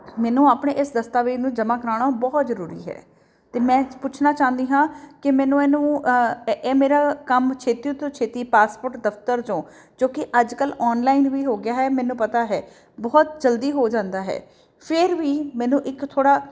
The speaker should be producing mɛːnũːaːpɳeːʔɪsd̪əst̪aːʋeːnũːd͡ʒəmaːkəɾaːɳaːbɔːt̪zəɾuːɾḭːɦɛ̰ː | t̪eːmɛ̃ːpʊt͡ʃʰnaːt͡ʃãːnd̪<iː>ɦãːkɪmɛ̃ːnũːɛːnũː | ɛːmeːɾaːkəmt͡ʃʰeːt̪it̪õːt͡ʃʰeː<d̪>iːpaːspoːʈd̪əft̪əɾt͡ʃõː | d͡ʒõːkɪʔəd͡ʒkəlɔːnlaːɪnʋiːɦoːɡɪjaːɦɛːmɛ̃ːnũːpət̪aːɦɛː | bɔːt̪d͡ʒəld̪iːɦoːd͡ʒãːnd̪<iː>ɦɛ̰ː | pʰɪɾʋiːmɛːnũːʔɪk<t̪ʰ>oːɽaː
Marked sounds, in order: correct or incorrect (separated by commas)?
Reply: correct, incorrect, incorrect, correct